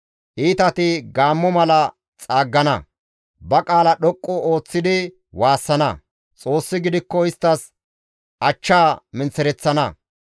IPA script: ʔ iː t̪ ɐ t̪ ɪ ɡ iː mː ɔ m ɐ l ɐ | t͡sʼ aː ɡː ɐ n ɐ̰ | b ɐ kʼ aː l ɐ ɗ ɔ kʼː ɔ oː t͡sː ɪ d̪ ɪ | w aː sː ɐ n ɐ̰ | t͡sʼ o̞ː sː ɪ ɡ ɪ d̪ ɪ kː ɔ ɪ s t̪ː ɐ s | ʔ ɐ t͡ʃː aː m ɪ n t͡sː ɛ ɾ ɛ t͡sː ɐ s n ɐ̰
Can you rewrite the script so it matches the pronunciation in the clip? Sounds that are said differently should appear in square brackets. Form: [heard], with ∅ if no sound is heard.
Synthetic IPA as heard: ʔ iː t̪ ɐ t̪ ɪ ɡ [aː] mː ɔ m ɐ l ɐ | t͡sʼ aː ɡː ɐ n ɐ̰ | b ɐ kʼ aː l ɐ ɗ ɔ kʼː ɔ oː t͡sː ɪ d̪ ɪ | w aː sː ɐ n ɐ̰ | t͡sʼ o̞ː sː ɪ ɡ ɪ d̪ ɪ kː ɔ ɪ s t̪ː ɐ s | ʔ ɐ t͡ʃː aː m ɪ n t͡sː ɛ ɾ ɛ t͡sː ɐ [∅] n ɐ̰